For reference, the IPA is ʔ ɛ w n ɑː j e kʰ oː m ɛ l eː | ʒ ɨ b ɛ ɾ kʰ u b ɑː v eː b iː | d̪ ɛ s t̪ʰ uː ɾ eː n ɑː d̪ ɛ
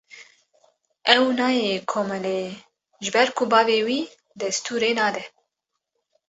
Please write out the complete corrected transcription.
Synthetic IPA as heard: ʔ ɛ w n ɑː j e kʰ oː m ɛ l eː | ʒ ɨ b ɛ ɾ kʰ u b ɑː v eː w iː | d̪ ɛ s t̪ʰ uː ɾ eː n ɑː d̪ ɛ